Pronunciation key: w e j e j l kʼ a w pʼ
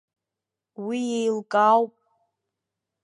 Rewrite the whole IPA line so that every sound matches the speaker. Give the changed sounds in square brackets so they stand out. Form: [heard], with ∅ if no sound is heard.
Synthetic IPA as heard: w [i] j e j l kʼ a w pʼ